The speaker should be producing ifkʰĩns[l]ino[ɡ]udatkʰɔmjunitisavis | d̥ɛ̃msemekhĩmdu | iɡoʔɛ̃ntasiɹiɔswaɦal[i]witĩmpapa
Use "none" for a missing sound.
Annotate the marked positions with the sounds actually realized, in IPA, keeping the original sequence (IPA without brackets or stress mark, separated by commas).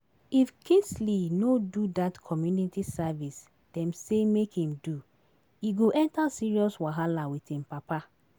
l, d, a